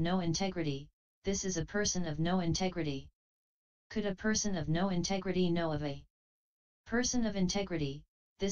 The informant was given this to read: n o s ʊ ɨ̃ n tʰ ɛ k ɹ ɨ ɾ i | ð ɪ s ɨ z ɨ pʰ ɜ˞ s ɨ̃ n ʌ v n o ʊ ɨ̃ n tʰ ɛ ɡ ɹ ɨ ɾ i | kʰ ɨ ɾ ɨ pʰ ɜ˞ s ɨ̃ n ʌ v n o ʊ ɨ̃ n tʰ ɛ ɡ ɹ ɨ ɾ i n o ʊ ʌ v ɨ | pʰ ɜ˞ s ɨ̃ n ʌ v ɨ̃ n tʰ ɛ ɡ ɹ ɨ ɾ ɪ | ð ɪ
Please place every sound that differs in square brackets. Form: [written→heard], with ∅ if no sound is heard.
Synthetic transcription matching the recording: n o [s→∅] ʊ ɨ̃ n tʰ ɛ [k→ɡ] ɹ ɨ ɾ i | ð ɪ s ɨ z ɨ pʰ ɜ˞ s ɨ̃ n ʌ v n o ʊ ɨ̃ n tʰ ɛ ɡ ɹ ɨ ɾ i | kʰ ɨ ɾ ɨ pʰ ɜ˞ s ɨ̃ n ʌ v n o ʊ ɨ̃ n tʰ ɛ ɡ ɹ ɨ ɾ i n o ʊ ʌ v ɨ | pʰ ɜ˞ s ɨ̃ n ʌ v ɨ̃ n tʰ ɛ ɡ ɹ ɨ ɾ [ɪ→i] | ð ɪ

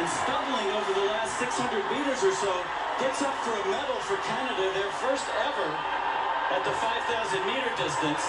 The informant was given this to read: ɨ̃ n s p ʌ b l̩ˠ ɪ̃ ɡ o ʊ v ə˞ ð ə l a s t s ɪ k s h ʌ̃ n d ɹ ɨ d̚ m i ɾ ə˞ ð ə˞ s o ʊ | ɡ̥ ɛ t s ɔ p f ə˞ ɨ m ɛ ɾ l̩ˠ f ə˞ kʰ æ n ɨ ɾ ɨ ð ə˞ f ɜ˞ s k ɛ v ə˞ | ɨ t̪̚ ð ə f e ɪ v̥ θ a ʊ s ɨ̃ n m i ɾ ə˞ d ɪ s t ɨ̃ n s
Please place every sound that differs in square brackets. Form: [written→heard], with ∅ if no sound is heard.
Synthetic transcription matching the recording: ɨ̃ n s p ʌ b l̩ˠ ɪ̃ [ɡ→ŋ] o ʊ v ə˞ ð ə l [a→æ] s t s ɪ k s h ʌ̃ n d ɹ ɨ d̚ m i ɾ ə˞ [ð→z] ə˞ s o ʊ | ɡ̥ ɛ t s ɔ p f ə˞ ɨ m ɛ ɾ l̩ˠ f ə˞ kʰ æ n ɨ ɾ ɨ ð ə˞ f ɜ˞ s [k→t] ɛ v ə˞ | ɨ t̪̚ ð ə f [e→a] ɪ v̥ θ a ʊ [s→z] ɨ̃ n m i ɾ ə˞ d ɪ s t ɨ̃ n s

